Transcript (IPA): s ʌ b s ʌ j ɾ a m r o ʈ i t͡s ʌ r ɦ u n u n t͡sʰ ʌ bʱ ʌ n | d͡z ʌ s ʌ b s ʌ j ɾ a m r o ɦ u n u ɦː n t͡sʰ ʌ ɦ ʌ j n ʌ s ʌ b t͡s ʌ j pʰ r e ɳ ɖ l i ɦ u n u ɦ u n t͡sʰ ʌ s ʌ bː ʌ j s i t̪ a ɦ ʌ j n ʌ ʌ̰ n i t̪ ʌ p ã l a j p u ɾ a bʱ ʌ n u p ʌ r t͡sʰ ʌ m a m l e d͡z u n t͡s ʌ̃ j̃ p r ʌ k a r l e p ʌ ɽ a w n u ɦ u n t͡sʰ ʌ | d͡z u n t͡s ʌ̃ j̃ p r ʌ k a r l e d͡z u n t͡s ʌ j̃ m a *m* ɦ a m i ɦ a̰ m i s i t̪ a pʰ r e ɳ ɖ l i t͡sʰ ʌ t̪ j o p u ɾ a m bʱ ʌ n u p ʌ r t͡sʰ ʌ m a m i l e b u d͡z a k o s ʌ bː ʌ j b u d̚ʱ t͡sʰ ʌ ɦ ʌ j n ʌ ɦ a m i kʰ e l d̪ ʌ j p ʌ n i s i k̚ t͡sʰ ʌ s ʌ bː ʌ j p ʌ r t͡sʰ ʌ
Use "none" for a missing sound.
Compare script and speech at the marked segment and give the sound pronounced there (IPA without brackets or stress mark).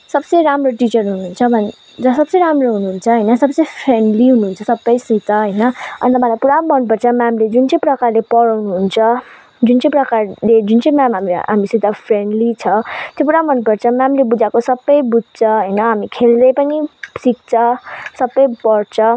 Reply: m